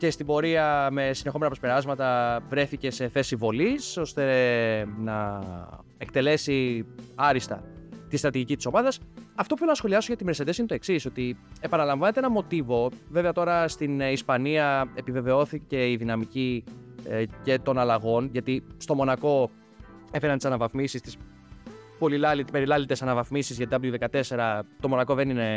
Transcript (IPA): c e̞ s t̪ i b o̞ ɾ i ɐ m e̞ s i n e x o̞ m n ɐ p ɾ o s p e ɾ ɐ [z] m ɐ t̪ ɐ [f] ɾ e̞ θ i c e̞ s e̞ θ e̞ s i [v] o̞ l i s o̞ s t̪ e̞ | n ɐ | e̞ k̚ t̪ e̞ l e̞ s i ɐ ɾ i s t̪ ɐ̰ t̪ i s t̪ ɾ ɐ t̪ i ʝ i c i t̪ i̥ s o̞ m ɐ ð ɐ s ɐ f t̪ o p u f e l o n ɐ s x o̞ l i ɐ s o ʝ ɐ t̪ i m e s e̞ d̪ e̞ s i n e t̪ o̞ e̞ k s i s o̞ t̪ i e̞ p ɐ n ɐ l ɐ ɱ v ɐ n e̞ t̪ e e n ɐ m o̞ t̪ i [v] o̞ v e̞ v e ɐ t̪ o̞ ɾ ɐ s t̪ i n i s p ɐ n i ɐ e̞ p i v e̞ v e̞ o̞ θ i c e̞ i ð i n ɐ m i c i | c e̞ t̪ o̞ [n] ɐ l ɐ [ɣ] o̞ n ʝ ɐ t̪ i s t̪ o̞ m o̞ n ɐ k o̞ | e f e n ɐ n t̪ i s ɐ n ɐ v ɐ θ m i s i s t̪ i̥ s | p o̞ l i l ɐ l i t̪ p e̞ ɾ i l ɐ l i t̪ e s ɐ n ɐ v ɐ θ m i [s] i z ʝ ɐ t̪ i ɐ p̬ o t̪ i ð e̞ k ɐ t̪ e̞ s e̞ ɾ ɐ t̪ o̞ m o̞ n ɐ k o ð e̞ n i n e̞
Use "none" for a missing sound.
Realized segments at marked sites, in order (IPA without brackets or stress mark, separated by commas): z, v, v, v, n, ɣ, s